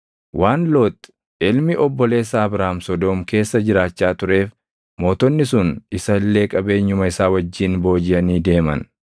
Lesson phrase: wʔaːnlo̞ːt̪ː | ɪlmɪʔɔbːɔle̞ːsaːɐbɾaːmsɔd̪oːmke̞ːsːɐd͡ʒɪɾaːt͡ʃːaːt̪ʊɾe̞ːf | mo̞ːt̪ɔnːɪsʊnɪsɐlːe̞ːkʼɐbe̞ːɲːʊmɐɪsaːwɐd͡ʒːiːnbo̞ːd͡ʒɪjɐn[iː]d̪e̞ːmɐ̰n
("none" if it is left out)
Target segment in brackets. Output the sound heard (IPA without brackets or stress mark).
iː